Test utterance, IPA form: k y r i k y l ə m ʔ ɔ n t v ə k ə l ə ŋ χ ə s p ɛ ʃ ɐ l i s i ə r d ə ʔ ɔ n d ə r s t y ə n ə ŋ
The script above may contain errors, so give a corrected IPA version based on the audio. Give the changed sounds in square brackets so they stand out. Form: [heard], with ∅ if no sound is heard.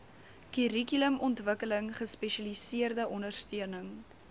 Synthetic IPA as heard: k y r i k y l ə m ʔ ɔ n t v ə k ə l ə ŋ χ ə s p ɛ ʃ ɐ l i s i ə r d ə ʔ ɔ n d ə r s t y ə n ə ŋ